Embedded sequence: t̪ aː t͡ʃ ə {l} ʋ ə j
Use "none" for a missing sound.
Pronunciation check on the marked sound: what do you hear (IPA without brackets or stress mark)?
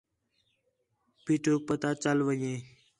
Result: l